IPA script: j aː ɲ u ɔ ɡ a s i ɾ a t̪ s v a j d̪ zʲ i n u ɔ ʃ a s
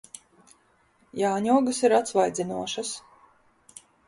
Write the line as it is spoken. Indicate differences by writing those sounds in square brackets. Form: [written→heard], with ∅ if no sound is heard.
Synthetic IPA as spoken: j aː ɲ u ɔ ɡ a s i ɾ a t̪ s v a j d̪ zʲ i n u ɔ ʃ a s